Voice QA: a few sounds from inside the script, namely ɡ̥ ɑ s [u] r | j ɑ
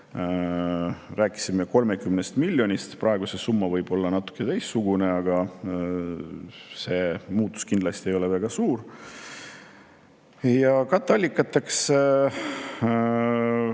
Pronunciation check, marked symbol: incorrect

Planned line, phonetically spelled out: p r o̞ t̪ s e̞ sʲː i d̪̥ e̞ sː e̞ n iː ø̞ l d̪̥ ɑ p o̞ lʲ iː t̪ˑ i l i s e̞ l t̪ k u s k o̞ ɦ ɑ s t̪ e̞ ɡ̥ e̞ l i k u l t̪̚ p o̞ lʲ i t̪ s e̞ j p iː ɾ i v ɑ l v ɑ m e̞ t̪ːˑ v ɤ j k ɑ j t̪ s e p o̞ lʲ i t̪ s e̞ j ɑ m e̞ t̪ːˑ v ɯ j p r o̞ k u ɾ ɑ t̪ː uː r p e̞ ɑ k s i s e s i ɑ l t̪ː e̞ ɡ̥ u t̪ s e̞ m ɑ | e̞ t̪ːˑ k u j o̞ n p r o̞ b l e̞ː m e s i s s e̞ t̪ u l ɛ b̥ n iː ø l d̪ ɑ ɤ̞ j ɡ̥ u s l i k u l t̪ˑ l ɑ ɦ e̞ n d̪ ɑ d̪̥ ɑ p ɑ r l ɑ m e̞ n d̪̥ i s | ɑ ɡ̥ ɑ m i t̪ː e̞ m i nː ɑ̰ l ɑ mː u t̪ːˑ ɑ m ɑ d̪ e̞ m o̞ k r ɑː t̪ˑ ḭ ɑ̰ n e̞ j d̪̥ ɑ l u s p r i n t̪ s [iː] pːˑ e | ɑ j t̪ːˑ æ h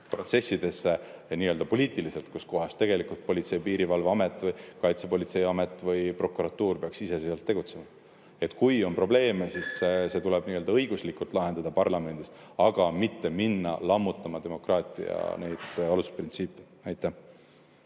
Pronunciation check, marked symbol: correct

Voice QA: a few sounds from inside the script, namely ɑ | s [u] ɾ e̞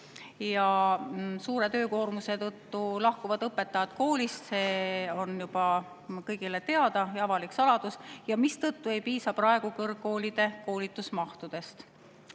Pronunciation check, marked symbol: incorrect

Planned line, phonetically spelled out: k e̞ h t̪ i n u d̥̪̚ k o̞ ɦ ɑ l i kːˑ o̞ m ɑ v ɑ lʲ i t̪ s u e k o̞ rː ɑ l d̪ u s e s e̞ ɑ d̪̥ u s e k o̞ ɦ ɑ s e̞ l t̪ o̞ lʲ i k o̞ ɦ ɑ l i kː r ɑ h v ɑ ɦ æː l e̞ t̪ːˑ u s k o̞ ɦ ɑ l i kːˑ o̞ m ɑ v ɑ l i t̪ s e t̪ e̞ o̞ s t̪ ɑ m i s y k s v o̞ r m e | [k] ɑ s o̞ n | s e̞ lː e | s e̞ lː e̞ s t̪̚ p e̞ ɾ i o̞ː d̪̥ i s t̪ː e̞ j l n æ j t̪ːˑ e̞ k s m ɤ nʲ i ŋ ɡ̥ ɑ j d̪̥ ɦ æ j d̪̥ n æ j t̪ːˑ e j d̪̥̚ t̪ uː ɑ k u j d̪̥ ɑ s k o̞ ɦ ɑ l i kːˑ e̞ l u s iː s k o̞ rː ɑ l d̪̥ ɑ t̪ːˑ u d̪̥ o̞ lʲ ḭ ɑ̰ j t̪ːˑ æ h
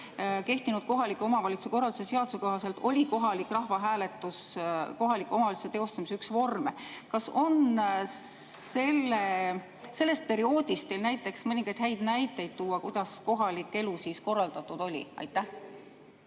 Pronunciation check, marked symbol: correct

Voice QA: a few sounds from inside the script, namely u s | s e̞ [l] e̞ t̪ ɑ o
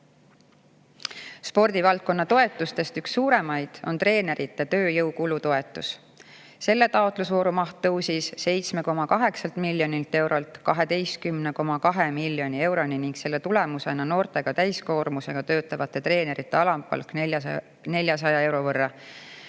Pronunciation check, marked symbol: incorrect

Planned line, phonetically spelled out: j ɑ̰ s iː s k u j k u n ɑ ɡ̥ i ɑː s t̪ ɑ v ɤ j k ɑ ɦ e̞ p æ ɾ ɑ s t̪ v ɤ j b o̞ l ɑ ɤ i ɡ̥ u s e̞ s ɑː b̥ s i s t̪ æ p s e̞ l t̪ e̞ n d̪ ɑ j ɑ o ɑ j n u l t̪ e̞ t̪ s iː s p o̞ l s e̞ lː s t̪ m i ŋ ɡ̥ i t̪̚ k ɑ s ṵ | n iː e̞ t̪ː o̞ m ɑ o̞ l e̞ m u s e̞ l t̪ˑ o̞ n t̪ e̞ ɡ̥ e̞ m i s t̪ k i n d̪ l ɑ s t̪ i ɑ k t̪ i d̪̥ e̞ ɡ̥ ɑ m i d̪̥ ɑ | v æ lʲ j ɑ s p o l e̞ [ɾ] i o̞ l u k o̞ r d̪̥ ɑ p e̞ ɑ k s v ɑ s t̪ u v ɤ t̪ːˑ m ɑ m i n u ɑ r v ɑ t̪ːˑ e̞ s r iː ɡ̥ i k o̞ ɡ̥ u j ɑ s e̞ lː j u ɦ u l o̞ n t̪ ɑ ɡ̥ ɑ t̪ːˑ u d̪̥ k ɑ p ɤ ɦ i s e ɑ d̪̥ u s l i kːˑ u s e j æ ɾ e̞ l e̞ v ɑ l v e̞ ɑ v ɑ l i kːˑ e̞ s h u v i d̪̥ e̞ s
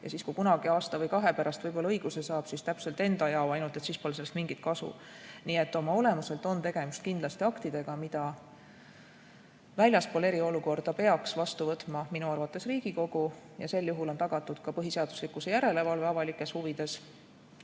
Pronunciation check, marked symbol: correct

